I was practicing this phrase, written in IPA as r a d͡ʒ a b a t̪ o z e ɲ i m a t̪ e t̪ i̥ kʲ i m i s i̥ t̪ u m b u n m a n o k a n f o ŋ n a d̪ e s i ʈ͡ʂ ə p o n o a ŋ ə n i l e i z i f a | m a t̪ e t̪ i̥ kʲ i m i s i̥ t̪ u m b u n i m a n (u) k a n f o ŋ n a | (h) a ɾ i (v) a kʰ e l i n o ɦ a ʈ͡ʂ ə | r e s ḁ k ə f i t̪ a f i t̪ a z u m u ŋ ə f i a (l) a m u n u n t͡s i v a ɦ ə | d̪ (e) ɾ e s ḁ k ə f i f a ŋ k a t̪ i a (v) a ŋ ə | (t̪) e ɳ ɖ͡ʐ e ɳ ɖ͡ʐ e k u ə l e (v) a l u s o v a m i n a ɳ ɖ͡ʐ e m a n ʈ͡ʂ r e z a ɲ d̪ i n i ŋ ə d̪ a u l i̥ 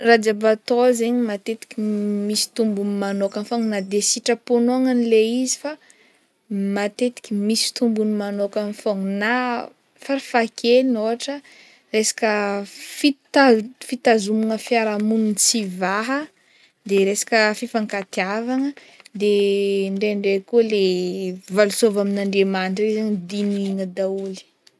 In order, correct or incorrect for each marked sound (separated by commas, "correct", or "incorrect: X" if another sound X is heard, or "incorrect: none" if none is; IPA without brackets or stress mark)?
incorrect: o, incorrect: f, incorrect: f, incorrect: ɾ, correct, correct, incorrect: d̪, correct